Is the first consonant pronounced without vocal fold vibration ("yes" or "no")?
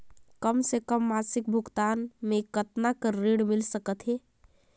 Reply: yes